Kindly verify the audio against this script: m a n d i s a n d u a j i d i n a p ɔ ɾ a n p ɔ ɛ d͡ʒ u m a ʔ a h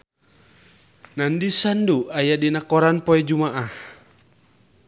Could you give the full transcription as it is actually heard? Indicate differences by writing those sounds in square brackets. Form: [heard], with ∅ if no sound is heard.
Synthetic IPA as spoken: [n] a n d i s a n d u a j [a] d i n a [k] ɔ ɾ a n p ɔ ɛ d͡ʒ u m a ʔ a h

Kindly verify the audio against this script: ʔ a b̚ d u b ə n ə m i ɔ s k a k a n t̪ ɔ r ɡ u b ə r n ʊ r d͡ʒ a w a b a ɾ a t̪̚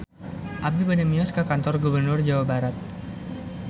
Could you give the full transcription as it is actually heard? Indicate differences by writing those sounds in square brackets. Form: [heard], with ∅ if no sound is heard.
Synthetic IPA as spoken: ʔ a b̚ d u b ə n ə m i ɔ s k a k a n t̪ ɔ r ɡ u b ə r n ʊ r d͡ʒ a w a b a ɾ a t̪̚

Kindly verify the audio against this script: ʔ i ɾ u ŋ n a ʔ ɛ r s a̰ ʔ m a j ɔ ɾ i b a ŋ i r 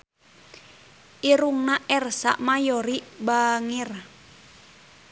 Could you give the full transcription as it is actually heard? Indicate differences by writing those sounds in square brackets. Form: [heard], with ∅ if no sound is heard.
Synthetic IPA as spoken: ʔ i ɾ u ŋ n a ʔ ɛ r s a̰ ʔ m a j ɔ ɾ i b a ŋ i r

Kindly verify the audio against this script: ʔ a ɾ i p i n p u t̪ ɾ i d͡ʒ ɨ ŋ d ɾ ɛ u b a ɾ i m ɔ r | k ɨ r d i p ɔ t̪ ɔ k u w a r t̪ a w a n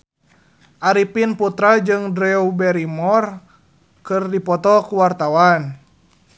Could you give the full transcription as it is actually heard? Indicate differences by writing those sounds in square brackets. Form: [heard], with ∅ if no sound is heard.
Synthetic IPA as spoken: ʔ a ɾ i p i n p u t̪ ɾ [a] d͡ʒ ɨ ŋ d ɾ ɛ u b [ɛ] ɾ i m ɔ r | k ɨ r d i p ɔ t̪ ɔ k u w a r t̪ a w a n

